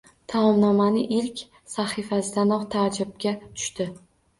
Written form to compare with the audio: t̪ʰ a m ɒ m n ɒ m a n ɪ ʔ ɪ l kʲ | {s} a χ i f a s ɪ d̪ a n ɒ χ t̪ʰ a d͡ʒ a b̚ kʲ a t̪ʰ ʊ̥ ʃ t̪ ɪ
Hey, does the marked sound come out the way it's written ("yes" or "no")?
yes